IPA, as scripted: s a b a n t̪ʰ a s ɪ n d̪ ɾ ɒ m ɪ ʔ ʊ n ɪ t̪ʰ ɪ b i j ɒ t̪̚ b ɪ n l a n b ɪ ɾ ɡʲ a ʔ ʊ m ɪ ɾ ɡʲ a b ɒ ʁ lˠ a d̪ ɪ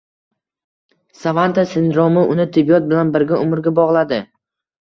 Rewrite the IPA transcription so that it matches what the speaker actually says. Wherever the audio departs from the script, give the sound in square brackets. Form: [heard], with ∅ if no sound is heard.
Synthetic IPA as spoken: s a [v] a n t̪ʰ a s ɪ n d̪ ɾ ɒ m ɪ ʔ ʊ n ɪ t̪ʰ ɪ b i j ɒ t̪̚ b ɪ [∅] l a n b ɪ ɾ ɡʲ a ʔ ʊ m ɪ ɾ ɡʲ a b ɒ ʁ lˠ a d̪ ɪ